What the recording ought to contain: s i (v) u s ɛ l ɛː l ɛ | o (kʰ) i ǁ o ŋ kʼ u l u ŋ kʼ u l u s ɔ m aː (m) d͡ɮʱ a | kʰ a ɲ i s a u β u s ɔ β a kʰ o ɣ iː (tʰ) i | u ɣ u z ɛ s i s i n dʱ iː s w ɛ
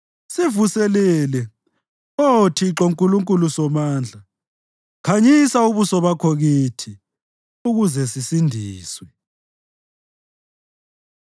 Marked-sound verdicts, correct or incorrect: correct, incorrect, incorrect, correct

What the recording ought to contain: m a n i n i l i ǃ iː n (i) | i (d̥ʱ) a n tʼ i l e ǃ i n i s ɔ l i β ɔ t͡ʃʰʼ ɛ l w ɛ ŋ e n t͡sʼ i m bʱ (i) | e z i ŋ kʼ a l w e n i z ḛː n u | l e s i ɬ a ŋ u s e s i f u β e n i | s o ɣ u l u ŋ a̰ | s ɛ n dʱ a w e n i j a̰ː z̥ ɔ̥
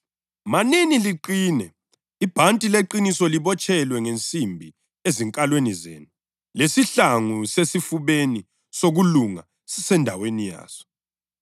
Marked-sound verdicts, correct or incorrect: incorrect, incorrect, correct

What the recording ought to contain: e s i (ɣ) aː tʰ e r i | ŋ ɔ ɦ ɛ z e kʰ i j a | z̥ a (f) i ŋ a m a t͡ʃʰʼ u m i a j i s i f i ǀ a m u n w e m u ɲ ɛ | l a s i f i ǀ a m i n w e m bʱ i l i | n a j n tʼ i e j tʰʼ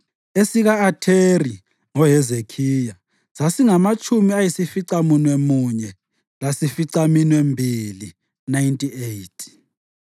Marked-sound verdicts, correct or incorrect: correct, incorrect

